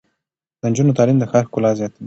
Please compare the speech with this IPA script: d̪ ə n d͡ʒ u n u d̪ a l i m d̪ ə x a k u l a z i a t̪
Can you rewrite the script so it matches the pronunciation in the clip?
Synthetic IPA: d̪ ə n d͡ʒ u n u t̪ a l i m d̪ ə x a k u l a z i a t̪